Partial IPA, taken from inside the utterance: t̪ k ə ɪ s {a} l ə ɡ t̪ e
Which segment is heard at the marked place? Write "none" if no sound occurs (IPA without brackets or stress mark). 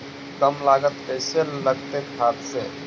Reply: e